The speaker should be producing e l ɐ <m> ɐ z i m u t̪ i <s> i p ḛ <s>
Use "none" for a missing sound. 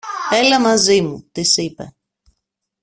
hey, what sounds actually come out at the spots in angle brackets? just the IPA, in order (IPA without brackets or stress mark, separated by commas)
m, s, none